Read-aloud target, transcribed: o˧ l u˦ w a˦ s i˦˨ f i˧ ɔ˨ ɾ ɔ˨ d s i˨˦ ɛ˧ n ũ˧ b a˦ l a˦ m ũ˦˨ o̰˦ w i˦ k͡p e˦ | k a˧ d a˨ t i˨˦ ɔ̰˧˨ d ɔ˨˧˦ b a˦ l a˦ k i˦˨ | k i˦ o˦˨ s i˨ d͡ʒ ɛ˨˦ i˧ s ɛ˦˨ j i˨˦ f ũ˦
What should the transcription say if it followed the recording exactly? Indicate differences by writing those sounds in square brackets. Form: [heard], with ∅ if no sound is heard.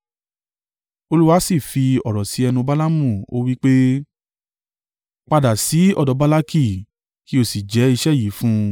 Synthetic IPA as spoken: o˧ l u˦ w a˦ s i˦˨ f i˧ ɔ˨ ɾ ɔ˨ [∅] s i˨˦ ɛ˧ n ũ˧ b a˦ l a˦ m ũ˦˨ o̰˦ w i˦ k͡p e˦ | [k͡p] a˧ d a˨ [s] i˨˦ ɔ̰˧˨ d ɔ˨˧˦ b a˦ l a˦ k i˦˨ | k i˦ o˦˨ s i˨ d͡ʒ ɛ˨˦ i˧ [ʃ] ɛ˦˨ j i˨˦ f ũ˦